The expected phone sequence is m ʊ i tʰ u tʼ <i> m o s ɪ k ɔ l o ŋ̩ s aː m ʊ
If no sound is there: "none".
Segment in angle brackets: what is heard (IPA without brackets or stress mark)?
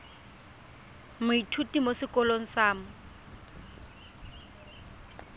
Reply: i